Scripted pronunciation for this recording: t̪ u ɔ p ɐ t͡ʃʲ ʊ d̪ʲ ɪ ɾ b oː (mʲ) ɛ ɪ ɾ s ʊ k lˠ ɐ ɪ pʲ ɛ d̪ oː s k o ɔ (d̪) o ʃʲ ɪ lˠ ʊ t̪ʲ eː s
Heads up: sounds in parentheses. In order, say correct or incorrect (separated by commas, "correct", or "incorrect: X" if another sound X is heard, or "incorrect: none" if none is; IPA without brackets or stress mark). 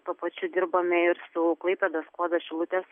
correct, correct